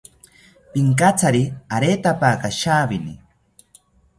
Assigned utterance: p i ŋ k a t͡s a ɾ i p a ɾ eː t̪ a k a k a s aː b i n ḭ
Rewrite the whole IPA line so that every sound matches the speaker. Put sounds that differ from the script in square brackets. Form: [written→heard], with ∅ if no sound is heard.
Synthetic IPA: p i ŋ k a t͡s a ɾ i [p→∅] a ɾ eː t̪ a [k→p] a k a [s→ʃ] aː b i n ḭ